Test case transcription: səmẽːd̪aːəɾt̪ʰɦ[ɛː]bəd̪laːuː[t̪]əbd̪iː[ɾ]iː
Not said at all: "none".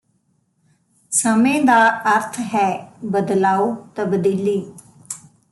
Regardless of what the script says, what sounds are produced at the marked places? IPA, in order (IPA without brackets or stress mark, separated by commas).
ɛː, t̪, l